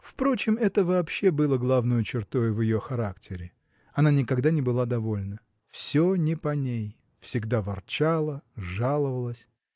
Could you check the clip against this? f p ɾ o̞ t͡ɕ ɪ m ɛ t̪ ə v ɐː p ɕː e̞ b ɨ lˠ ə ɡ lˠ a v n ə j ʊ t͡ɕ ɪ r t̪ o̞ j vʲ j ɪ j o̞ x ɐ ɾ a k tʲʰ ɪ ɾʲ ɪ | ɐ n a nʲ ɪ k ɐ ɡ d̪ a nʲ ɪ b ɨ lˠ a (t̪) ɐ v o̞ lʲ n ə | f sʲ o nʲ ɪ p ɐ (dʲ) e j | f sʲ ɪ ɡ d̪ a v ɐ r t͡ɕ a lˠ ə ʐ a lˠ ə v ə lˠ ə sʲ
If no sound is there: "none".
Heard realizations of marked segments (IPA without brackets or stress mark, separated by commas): d̪, nʲ